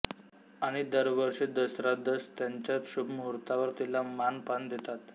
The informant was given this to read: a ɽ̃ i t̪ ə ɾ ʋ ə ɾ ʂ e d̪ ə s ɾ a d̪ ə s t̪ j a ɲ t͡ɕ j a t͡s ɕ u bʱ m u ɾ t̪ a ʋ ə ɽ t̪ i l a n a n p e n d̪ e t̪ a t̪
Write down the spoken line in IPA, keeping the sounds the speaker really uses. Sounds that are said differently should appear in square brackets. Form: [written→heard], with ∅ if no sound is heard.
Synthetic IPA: a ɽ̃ i [t̪→d̪] ə ɾ ʋ ə ɾ ʂ e d̪ ə s ɾ a d̪ ə s t̪ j a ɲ t͡ɕ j a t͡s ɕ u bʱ m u ɾ t̪ a ʋ ə [ɽ→ɾ] t̪ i l a [n→m] a n p [e→a] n d̪ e t̪ a t̪